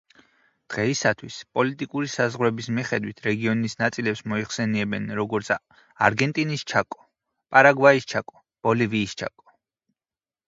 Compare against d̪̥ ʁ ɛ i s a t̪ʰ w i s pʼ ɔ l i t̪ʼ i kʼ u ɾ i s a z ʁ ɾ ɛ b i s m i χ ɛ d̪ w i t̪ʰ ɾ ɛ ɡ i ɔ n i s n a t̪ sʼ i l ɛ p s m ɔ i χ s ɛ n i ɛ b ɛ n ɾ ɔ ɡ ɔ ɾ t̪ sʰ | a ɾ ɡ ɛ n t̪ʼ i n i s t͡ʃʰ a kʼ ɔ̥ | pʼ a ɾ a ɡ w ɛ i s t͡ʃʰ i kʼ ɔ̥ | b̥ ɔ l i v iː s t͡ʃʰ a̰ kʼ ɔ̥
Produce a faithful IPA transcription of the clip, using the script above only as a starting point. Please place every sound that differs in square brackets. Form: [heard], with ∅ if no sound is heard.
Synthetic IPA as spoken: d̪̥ ʁ ɛ i s a t̪ʰ w i s pʼ ɔ l i t̪ʼ i kʼ u ɾ i s a z ʁ ɾ ɛ b i s m i χ ɛ d̪ w i t̪ʰ ɾ ɛ ɡ i ɔ n i s n a t̪ sʼ i l ɛ p s m ɔ i χ s ɛ n i ɛ b ɛ n ɾ ɔ ɡ ɔ ɾ t̪ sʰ | a ɾ ɡ ɛ n t̪ʼ i n i s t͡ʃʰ a kʼ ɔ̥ | pʼ a ɾ a ɡ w [a] i s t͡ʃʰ [a] kʼ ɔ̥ | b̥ ɔ l i v iː s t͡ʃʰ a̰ kʼ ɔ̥

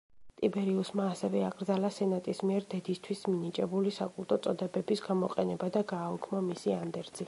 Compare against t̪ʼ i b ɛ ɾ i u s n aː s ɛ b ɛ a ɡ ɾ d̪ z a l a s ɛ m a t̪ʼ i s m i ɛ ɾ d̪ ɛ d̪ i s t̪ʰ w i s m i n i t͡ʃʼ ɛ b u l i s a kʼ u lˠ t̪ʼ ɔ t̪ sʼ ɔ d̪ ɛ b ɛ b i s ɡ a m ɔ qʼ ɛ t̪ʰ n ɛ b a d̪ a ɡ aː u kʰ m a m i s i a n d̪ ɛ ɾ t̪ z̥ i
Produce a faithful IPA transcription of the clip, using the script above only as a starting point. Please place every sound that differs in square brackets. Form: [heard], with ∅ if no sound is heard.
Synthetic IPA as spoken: t̪ʼ i b ɛ ɾ i u s [m] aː s ɛ [v] ɛ a ɡ ɾ d̪ z a l a s ɛ [n] a t̪ʼ i s m i ɛ ɾ d̪ ɛ d̪ i s t̪ʰ w i s m i n i t͡ʃʼ ɛ b u l i s a kʼ u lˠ t̪ʼ ɔ t̪ sʼ ɔ d̪ ɛ b ɛ b i s ɡ a m ɔ qʼ ɛ [∅] n ɛ b a d̪ a ɡ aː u kʰ m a m i s i a n d̪ ɛ ɾ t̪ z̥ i

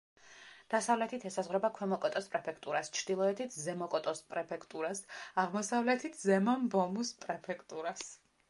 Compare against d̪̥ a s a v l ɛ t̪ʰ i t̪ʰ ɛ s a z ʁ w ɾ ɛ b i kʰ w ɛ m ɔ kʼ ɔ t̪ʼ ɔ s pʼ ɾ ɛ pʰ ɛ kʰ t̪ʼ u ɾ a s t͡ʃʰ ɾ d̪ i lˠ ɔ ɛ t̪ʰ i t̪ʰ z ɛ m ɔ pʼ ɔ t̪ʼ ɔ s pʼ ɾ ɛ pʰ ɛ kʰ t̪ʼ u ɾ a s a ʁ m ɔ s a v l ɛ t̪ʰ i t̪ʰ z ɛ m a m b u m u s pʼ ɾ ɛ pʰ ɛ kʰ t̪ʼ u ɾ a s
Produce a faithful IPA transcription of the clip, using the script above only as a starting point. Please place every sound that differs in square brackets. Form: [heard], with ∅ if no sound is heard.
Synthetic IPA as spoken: d̪̥ a s a v l ɛ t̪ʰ i t̪ʰ ɛ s a z ʁ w ɾ ɛ b [a] kʰ w ɛ m ɔ kʼ ɔ t̪ʼ ɔ s pʼ ɾ ɛ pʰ ɛ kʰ t̪ʼ u ɾ a s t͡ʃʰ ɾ d̪ i lˠ ɔ ɛ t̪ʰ i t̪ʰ z ɛ m ɔ [kʼ] ɔ t̪ʼ ɔ s pʼ ɾ ɛ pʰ ɛ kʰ t̪ʼ u ɾ a s a ʁ m ɔ s a v l ɛ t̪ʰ i t̪ʰ z ɛ m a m b [ɔ] m u s pʼ ɾ ɛ pʰ ɛ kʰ t̪ʼ u ɾ a s

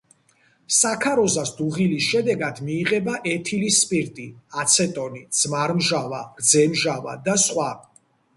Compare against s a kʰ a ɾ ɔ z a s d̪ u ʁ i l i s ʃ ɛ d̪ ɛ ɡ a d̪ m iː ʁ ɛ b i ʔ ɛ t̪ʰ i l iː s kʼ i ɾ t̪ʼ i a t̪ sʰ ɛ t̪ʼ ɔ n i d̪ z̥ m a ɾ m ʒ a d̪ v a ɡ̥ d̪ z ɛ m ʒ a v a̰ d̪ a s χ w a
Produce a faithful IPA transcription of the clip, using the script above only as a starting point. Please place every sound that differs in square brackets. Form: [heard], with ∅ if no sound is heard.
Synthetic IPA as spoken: s a kʰ a ɾ ɔ z a s d̪ u ʁ i l i s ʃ ɛ d̪ ɛ ɡ a d̪ m iː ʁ ɛ b [a] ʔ ɛ t̪ʰ i l [i] s [pʼ] i ɾ t̪ʼ i a t̪ sʰ ɛ t̪ʼ ɔ n i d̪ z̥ m a ɾ m ʒ a [∅] v a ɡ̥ d̪ z ɛ m ʒ a v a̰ d̪ a s χ w a

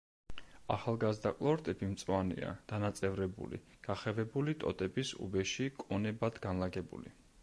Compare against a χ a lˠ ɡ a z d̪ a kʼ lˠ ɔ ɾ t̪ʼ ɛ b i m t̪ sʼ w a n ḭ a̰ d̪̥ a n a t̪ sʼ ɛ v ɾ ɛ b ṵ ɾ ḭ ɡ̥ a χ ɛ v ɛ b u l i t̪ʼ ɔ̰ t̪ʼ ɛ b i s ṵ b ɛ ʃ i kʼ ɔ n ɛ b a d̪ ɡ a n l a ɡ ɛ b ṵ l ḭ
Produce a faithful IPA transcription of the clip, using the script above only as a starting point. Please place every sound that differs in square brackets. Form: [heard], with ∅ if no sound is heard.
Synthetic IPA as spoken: a χ a lˠ ɡ a z d̪ a kʼ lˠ ɔ ɾ t̪ʼ ɛ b i m t̪ sʼ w a n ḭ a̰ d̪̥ a n a t̪ sʼ ɛ v ɾ ɛ b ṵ [l] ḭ ɡ̥ a χ ɛ v ɛ b u l i t̪ʼ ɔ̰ t̪ʼ ɛ b i s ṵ b ɛ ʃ i kʼ ɔ n ɛ b a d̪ ɡ a n l a ɡ ɛ b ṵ l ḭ

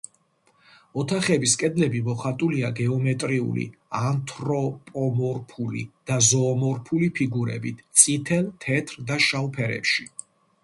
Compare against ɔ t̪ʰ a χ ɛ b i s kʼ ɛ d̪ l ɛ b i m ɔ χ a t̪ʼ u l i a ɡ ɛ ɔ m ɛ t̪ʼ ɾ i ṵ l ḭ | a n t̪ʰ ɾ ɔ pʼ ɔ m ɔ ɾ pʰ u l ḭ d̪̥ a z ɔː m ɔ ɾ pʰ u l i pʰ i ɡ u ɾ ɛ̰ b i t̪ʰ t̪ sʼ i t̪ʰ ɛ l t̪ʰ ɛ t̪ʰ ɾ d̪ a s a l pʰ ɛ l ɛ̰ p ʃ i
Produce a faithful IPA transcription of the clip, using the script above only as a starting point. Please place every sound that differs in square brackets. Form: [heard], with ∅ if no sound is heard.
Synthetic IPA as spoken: ɔ t̪ʰ a χ ɛ b i s kʼ ɛ d̪ l ɛ b i m ɔ χ a t̪ʼ u l i a ɡ ɛ ɔ m ɛ t̪ʼ ɾ i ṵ l ḭ | a n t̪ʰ ɾ ɔ pʼ ɔ m ɔ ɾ pʰ u l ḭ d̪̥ a z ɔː m ɔ ɾ pʰ u l i pʰ i ɡ u ɾ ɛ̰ b i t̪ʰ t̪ sʼ i t̪ʰ ɛ l t̪ʰ ɛ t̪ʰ ɾ d̪ a [ʃ] a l pʰ ɛ [ɾ] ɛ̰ p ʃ i

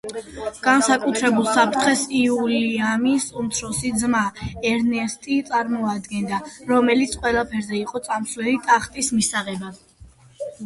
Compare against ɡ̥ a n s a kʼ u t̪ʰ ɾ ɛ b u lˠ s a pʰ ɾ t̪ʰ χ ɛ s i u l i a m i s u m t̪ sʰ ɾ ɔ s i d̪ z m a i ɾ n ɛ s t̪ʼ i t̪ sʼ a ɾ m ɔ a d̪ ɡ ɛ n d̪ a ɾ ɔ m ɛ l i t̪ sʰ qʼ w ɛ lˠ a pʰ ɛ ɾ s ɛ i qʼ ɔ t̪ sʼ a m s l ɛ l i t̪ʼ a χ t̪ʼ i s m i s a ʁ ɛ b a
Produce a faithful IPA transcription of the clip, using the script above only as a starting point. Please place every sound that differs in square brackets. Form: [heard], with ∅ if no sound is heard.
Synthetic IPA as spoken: ɡ̥ a n s a kʼ u t̪ʰ ɾ ɛ b u lˠ s a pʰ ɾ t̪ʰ χ ɛ s i u l i a m i s u m t̪ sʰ ɾ ɔ s i d̪ z m a [ɛ] ɾ n ɛ s t̪ʼ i t̪ sʼ a ɾ m ɔ a d̪ ɡ ɛ n d̪ a ɾ ɔ m ɛ l i t̪ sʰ qʼ w ɛ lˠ a pʰ ɛ ɾ [z] ɛ i qʼ ɔ t̪ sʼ a m s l ɛ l i t̪ʼ a χ t̪ʼ i s m i s a ʁ ɛ b a

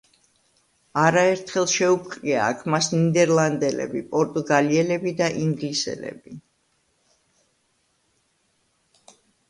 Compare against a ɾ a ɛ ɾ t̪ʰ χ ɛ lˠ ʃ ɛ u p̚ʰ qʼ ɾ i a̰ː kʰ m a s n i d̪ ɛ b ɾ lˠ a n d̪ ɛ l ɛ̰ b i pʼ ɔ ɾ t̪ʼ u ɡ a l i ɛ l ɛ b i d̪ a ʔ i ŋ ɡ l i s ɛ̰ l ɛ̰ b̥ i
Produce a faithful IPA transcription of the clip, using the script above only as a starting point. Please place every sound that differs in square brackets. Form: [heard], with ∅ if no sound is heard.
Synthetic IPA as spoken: a ɾ a ɛ ɾ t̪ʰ χ ɛ lˠ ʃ ɛ u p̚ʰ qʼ ɾ i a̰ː kʰ m a s n i d̪ ɛ [∅] ɾ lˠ a n d̪ ɛ l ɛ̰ b i pʼ ɔ ɾ t̪ʼ u ɡ a l i ɛ l ɛ b i d̪ a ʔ i ŋ ɡ l i s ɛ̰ l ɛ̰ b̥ i

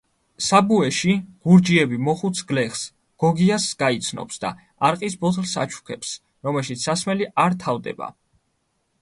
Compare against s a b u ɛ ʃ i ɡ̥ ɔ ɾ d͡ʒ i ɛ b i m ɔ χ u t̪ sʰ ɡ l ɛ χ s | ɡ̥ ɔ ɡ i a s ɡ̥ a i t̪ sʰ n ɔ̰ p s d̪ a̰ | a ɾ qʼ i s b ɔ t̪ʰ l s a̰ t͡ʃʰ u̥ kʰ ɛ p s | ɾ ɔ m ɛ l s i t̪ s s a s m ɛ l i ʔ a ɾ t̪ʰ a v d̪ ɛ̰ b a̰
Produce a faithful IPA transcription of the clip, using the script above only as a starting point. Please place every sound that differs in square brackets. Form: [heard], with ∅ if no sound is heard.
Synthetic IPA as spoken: s a b u ɛ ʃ i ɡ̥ [u] ɾ d͡ʒ i ɛ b i m ɔ χ u t̪ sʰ ɡ l ɛ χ s | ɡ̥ ɔ ɡ i a s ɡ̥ a i t̪ sʰ n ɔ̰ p s d̪ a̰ | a ɾ qʼ i s b ɔ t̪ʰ l s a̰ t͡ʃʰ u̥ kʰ ɛ p s | ɾ ɔ m ɛ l [ʃ] i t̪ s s a s m ɛ l i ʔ a ɾ t̪ʰ a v d̪ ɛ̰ b a̰

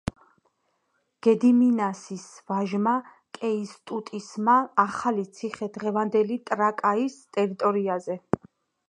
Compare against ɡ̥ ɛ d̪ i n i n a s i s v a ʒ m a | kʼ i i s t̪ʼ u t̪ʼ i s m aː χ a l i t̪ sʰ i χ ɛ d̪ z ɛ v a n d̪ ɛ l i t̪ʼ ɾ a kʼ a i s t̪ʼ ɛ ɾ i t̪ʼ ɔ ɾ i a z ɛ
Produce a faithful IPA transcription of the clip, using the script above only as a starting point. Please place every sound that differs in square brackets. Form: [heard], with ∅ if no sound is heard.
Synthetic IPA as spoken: ɡ̥ ɛ d̪ i [m] i n a s i s v a ʒ m a | kʼ [ɛ] i s t̪ʼ u t̪ʼ i s m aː χ a l i t̪ sʰ i χ ɛ d̪ [ʁ] ɛ v a n d̪ ɛ l i t̪ʼ ɾ a kʼ a i s t̪ʼ ɛ ɾ i t̪ʼ ɔ ɾ i a z ɛ

